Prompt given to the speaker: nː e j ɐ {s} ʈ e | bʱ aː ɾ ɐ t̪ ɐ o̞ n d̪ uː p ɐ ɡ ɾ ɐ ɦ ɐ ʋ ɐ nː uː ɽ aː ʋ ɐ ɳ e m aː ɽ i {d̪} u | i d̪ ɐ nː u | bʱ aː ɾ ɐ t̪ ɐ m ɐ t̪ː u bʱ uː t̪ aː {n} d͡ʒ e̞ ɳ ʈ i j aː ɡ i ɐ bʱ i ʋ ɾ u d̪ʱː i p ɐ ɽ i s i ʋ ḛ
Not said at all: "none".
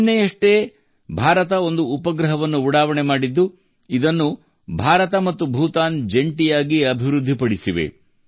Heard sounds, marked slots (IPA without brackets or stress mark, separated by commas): ʂ, d̪ː, n